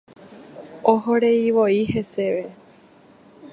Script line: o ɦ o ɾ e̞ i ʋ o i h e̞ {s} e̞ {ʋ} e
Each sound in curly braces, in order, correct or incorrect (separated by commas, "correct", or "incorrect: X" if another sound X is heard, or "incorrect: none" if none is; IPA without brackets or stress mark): correct, correct